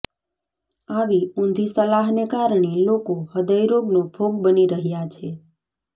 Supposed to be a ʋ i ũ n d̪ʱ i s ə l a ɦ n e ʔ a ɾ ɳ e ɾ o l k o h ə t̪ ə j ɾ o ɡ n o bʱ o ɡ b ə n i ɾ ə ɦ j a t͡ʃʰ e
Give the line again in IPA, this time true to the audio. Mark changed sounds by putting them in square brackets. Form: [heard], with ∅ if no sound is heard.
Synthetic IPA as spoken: a ʋ i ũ n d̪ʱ i s ə l a ɦ n e [k] a ɾ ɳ e [l] o [∅] k o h ə [d̪] ə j ɾ o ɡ n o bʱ o ɡ b ə n i ɾ ə ɦ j a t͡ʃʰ e